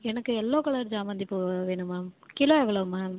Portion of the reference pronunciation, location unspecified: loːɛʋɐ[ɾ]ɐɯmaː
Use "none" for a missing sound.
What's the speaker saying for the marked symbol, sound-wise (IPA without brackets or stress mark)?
ɭ